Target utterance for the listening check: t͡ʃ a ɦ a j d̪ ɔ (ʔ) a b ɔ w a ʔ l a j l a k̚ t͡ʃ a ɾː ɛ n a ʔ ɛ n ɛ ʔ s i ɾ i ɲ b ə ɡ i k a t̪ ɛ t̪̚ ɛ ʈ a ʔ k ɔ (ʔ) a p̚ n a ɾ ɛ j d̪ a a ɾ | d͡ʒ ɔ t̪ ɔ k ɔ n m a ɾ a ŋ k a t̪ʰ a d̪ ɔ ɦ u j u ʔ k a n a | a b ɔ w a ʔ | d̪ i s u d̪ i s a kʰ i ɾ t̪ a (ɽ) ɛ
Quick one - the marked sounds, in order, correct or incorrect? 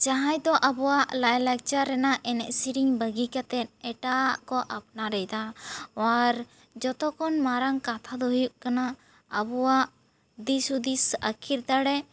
correct, correct, correct

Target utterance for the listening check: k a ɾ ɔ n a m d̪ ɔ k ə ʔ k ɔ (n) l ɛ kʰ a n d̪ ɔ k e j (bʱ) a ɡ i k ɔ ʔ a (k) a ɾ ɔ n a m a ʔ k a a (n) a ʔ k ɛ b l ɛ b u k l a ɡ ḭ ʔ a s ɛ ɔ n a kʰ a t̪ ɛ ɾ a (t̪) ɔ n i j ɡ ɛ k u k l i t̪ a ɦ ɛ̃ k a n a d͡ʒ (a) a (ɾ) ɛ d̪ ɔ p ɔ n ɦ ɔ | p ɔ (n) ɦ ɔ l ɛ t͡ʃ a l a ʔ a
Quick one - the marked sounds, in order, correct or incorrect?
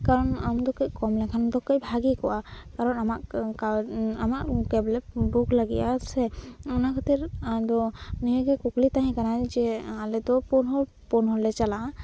incorrect, correct, correct, incorrect, incorrect, incorrect, incorrect, correct

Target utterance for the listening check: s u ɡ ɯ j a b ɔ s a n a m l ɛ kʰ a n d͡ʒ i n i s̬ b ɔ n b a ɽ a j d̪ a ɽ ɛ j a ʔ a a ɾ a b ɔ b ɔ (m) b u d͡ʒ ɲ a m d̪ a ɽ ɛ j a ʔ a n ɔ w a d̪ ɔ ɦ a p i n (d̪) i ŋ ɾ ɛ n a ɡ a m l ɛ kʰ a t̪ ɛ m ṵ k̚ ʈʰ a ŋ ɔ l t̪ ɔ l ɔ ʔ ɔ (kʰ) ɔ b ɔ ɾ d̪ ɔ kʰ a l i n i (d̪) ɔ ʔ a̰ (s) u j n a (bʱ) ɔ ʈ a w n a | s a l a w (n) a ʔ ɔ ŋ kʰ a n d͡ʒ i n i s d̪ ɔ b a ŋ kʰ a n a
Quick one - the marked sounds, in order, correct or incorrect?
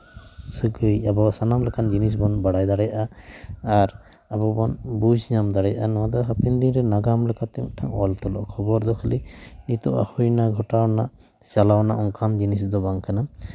incorrect, correct, correct, incorrect, incorrect, incorrect, correct

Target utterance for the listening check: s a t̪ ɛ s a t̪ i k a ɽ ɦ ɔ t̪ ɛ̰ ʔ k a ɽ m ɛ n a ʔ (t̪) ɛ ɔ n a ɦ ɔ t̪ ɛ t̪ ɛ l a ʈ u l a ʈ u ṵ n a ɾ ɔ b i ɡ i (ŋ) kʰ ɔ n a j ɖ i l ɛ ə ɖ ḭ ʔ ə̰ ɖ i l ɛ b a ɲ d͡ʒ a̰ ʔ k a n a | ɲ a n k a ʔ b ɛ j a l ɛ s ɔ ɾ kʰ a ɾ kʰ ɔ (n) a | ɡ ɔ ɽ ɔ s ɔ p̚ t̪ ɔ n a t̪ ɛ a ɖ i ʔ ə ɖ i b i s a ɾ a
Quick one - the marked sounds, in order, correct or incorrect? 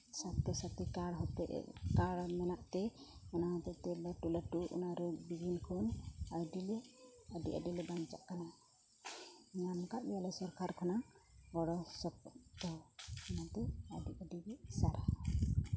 correct, incorrect, correct

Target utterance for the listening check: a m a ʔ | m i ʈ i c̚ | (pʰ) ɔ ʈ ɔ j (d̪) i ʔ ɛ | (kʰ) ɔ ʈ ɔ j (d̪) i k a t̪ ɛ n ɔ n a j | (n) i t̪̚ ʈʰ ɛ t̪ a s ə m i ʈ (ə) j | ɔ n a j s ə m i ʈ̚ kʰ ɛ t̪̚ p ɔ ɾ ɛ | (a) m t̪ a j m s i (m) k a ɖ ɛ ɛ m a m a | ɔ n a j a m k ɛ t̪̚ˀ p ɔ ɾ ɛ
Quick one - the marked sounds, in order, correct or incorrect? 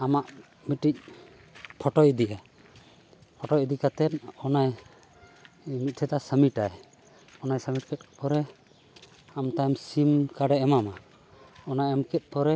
correct, correct, incorrect, correct, incorrect, incorrect, correct, correct

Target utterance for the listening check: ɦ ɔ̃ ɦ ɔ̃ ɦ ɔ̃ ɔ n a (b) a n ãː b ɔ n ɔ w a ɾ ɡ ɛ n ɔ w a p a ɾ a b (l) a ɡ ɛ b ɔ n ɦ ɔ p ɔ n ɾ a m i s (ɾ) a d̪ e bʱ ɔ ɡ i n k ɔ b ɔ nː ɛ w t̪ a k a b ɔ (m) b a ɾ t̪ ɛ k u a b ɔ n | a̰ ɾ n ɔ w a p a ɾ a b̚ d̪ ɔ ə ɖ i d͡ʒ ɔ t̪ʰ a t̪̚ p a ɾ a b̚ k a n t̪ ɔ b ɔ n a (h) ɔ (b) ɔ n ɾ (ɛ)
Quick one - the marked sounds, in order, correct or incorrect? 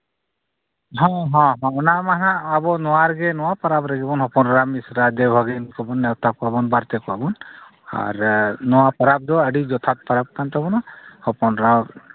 incorrect, incorrect, correct, incorrect, correct, incorrect, incorrect

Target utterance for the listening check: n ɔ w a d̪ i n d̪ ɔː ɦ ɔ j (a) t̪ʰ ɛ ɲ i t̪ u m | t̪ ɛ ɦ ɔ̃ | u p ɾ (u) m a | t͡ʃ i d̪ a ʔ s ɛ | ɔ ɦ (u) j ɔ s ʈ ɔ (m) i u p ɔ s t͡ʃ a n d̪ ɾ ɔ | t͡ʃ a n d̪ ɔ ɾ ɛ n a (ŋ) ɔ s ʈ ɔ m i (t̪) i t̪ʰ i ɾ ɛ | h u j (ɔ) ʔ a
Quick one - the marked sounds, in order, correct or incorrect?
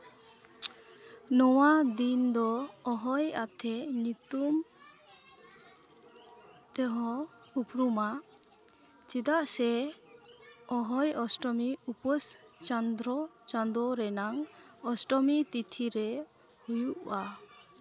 correct, correct, incorrect, correct, correct, correct, incorrect

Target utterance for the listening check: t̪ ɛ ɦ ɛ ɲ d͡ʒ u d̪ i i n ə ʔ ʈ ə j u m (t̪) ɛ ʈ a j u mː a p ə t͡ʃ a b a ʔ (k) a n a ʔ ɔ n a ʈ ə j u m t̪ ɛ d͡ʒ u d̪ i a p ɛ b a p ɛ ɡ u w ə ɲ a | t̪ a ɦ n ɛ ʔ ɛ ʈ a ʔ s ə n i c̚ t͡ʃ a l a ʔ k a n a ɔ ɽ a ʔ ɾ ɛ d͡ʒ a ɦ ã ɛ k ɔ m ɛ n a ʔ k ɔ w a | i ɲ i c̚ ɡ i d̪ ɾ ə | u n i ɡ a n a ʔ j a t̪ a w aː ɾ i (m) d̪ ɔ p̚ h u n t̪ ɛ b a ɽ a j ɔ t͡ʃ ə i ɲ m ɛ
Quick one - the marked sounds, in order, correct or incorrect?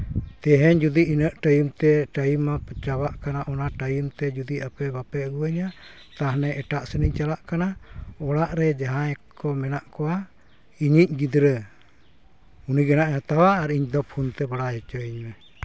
correct, correct, incorrect

